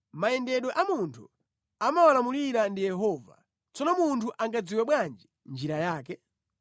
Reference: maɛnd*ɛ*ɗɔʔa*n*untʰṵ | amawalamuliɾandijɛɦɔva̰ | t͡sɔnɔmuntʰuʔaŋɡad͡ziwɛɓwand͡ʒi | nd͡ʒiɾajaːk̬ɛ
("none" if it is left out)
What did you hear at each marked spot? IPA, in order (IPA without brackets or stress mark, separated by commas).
ɛ, m